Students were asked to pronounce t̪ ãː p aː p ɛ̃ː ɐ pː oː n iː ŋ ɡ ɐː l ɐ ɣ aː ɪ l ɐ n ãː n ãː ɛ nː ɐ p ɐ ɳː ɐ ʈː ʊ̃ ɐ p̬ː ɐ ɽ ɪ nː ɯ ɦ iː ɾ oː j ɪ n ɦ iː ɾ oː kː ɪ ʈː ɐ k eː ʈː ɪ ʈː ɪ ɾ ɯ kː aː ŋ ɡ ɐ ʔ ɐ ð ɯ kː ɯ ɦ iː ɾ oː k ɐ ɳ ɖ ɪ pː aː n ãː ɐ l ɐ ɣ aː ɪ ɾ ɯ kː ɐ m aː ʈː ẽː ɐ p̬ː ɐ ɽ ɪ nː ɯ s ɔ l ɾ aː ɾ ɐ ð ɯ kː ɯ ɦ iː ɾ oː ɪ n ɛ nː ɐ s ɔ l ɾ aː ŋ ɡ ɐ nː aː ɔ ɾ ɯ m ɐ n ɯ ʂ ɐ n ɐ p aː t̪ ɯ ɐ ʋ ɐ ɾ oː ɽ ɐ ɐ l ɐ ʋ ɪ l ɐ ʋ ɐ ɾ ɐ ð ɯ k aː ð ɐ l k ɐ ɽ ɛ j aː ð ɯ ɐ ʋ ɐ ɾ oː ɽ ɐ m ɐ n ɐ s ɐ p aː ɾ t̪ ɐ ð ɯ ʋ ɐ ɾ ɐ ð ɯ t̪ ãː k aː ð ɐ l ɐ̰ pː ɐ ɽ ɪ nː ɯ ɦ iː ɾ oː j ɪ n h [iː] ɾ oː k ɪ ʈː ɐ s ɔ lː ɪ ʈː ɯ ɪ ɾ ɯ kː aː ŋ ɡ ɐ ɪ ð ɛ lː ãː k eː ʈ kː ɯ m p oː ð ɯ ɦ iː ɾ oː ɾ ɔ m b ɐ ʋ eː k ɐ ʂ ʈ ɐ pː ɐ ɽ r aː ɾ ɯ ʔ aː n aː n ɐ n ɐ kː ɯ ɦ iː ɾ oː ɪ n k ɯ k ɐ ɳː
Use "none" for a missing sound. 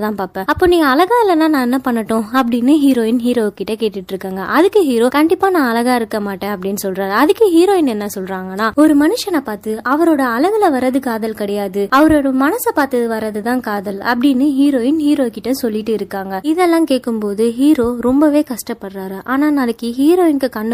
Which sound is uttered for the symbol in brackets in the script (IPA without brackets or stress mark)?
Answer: iː